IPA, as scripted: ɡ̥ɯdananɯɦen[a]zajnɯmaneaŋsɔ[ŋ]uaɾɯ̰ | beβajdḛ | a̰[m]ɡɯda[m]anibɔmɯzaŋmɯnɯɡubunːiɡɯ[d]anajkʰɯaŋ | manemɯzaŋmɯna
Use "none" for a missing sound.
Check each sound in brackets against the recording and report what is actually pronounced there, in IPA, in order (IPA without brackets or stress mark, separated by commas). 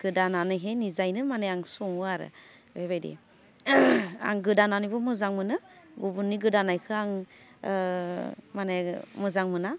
i, ŋ, ŋ, n, d